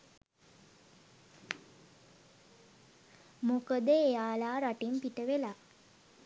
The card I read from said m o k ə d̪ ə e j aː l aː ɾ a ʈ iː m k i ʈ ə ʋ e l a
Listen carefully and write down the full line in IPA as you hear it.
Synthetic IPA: m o k ə d̪ ə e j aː l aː ɾ a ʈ i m p i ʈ ə ʋ e l a